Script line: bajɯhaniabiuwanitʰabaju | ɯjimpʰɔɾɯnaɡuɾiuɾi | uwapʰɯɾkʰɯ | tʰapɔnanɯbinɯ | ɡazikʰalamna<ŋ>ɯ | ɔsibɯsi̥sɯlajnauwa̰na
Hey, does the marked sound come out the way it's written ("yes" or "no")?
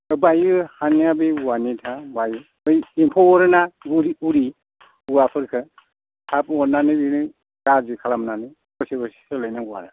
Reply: no